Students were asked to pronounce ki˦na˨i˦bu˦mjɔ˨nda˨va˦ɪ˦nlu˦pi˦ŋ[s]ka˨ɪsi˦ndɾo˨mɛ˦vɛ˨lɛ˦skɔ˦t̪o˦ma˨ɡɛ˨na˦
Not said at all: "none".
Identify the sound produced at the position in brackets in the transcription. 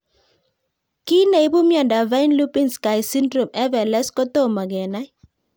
s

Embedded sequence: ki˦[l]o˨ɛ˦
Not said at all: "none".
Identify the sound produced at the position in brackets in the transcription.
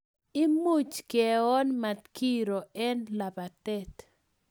ɾ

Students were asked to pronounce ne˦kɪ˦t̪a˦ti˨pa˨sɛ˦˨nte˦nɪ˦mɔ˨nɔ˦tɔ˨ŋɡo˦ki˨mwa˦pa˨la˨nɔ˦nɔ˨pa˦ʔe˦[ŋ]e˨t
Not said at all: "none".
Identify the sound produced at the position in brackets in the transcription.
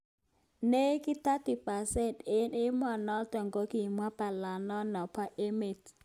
m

